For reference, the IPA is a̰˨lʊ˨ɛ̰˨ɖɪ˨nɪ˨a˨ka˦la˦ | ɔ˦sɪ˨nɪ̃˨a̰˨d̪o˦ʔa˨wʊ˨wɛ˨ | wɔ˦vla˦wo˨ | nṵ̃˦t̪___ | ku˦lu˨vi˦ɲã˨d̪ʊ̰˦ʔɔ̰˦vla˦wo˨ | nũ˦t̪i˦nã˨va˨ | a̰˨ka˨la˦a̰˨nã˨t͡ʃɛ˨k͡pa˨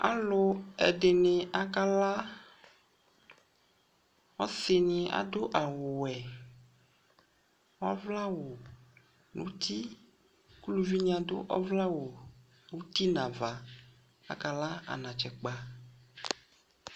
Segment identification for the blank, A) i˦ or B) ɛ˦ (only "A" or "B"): A